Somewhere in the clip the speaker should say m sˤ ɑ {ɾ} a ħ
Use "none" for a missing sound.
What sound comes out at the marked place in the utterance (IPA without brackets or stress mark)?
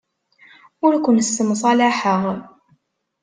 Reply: l